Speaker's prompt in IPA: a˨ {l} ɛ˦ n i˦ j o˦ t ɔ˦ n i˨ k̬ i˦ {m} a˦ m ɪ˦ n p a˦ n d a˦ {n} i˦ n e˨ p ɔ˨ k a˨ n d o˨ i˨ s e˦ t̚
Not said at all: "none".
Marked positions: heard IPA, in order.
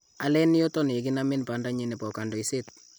l, n, ɲ

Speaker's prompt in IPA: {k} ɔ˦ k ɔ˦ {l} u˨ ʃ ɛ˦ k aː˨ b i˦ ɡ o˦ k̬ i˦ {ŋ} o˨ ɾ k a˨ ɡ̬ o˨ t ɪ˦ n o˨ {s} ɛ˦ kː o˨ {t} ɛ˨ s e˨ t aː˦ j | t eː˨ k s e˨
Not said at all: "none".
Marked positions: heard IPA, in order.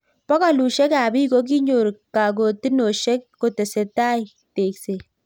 p, l, ɲ, ʃ, t

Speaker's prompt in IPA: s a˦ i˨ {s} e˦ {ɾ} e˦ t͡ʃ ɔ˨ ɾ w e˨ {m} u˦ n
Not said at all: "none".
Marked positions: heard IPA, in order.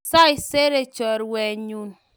s, ɾ, ɲ

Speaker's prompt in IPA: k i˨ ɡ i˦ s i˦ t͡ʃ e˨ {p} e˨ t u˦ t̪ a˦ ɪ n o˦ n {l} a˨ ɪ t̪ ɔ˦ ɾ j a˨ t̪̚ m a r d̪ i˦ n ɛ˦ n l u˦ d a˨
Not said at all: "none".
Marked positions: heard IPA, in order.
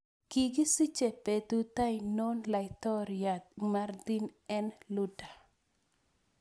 p, l

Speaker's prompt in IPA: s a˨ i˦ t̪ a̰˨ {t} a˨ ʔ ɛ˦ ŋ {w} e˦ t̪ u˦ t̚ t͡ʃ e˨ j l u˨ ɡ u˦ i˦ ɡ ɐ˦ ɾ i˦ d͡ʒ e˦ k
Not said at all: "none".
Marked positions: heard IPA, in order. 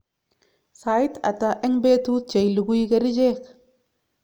t, b

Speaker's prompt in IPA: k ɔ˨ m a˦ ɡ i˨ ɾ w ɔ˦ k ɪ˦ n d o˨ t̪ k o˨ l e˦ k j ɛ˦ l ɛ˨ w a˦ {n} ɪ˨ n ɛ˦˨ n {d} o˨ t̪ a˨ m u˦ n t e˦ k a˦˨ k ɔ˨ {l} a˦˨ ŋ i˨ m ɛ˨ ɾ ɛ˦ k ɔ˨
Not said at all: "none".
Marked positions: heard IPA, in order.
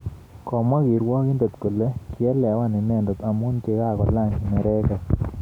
n, d, l

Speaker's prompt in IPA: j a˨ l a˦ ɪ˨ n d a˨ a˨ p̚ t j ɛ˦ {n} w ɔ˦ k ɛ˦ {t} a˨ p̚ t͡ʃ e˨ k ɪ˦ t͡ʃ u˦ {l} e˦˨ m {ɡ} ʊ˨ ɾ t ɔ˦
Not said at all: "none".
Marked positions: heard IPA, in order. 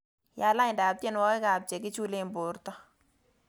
n, k, l, b

